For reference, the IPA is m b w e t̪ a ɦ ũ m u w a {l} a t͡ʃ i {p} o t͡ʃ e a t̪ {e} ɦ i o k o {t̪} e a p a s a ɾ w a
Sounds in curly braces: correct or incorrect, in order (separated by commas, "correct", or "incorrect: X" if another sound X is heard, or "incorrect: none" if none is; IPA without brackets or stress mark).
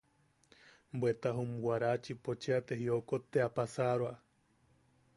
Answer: incorrect: ɾ, correct, correct, correct